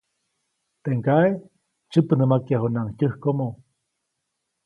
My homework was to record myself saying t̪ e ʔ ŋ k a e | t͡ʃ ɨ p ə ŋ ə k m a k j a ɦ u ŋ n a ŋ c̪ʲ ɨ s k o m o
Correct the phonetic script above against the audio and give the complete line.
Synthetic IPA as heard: t̪ e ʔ ŋ k a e | t͡ʃ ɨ p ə n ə m a k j a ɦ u n a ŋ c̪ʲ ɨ h k o m o